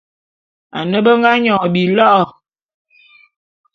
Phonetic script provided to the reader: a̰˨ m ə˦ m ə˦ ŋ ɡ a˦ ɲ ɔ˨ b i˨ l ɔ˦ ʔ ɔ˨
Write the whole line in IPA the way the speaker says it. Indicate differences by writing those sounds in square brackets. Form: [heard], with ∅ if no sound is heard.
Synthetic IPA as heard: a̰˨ [n] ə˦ [b] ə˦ ŋ ɡ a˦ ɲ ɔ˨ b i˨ l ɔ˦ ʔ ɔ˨

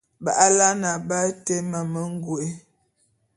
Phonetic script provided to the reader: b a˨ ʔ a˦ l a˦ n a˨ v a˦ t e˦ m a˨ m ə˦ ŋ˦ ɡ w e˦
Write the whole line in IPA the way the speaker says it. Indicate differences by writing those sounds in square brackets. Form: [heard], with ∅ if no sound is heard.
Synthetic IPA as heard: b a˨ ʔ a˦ l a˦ n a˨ [b] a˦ t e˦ m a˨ m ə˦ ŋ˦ ɡ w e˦

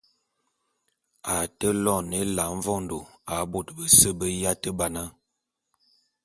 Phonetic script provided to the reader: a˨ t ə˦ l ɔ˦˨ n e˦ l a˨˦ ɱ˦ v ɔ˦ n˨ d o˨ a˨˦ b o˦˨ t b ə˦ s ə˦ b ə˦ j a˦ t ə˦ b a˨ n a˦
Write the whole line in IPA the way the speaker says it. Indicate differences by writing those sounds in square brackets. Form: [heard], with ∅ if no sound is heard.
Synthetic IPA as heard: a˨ t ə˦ l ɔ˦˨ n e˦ l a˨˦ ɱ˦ v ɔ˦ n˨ d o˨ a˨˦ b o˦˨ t b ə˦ s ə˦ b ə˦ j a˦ t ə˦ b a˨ n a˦

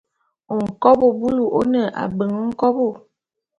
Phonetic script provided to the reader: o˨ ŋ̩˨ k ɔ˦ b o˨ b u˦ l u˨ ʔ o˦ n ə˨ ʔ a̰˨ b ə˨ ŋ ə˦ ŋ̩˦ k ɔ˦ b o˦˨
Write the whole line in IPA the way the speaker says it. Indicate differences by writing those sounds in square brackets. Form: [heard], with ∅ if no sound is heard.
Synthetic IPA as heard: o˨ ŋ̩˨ k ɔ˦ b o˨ b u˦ l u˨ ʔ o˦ n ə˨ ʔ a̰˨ b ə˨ ŋ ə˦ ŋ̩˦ k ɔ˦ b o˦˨

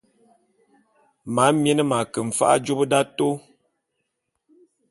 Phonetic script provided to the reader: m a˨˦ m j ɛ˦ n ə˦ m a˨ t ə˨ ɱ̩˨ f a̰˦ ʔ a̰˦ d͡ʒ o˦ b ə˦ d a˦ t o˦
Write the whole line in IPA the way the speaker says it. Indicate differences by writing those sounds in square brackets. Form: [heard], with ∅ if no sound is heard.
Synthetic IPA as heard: m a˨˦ m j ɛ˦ n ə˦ m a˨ [k] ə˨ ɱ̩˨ f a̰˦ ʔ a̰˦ d͡ʒ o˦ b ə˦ d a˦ t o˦

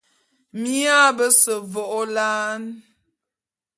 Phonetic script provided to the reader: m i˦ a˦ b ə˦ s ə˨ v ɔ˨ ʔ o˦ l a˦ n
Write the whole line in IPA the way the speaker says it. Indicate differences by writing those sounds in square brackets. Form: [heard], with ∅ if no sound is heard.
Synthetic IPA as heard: m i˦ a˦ b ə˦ s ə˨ v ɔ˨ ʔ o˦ l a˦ n

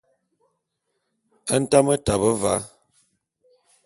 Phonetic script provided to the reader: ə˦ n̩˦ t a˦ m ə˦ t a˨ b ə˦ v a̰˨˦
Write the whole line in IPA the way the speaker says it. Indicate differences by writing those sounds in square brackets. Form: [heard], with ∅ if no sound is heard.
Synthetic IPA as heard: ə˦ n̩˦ t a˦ m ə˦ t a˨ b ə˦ v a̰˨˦

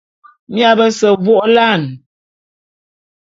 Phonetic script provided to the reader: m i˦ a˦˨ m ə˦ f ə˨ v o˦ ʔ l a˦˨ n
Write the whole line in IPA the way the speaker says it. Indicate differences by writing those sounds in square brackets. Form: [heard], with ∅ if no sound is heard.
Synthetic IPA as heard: m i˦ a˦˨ [b] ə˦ [s] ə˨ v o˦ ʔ l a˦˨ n

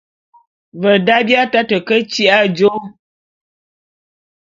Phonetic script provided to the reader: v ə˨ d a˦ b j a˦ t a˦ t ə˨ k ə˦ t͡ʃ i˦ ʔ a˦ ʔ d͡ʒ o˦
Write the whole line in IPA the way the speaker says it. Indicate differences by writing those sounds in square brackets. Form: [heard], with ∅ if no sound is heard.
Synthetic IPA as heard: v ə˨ d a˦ b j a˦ t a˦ t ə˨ k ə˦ t͡ʃ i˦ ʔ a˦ [∅] d͡ʒ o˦

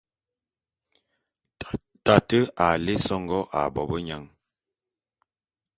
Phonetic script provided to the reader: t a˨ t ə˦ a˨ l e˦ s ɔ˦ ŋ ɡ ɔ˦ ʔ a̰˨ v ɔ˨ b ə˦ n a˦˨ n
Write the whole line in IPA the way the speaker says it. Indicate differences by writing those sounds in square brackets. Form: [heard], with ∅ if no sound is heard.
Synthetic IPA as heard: t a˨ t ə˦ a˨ l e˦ s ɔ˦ ŋ ɡ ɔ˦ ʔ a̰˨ [b] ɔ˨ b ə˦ [ɲ] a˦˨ [ŋ]

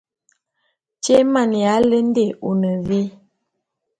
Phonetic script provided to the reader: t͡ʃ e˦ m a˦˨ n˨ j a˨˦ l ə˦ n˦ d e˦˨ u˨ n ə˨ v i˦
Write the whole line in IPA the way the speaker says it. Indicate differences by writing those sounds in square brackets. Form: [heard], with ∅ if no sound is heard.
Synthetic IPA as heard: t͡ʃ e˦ m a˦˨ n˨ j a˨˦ l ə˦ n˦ d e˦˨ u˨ n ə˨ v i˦

